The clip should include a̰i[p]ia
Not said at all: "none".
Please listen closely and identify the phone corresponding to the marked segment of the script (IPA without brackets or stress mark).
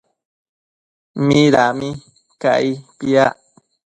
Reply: p